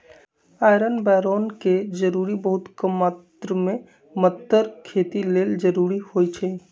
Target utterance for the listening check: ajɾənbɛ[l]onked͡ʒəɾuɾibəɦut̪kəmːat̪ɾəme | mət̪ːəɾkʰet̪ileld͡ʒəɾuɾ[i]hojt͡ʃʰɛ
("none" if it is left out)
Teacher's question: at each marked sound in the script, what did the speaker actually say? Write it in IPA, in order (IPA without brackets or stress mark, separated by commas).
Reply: ɾ, i